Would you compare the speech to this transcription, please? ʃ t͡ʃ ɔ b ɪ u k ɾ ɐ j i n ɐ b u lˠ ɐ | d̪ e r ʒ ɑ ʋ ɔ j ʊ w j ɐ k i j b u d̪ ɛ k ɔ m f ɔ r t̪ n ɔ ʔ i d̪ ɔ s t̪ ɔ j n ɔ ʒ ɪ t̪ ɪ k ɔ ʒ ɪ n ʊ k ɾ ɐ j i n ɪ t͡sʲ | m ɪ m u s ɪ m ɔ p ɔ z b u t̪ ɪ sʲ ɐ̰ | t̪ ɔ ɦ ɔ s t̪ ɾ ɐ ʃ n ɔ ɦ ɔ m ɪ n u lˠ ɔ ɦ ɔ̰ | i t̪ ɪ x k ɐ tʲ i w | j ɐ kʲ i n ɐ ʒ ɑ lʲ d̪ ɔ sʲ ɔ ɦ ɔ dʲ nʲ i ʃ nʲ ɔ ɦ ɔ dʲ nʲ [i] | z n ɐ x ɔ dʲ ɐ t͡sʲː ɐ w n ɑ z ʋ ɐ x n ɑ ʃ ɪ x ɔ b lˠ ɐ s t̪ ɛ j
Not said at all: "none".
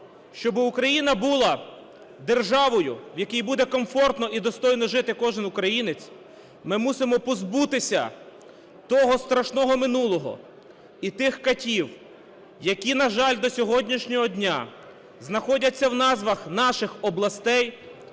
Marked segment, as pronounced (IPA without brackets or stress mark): a